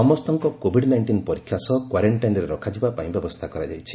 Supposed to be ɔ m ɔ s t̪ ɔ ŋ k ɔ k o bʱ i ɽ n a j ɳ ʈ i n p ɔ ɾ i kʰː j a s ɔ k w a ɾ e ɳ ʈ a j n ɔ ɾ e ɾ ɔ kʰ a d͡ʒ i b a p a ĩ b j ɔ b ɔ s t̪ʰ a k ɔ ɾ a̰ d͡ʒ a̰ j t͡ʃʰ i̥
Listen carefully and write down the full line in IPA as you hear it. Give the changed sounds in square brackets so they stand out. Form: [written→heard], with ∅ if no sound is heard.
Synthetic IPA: ɔ m ɔ s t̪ ɔ ŋ k ɔ k o bʱ i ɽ n a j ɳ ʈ i n p ɔ ɾ i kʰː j a s ɔ k w a ɾ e ɳ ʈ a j n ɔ ɾ e ɾ ɔ kʰ a d͡ʒ i b a p a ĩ b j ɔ b ɔ s t̪ʰ a k ɔ ɾ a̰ d͡ʒ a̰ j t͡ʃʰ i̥